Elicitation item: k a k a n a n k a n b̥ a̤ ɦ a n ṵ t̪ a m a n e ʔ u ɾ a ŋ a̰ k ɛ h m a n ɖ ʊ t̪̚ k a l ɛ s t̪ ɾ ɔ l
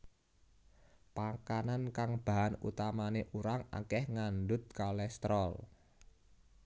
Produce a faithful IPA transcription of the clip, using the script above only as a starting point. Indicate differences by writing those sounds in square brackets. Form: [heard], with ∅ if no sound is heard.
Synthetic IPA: [p] a k a n a n k a [ŋ] b̥ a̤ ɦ a n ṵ t̪ a m a n e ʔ u ɾ a ŋ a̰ k ɛ h [ŋ] a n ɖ ʊ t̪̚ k a l ɛ s t̪ ɾ ɔ l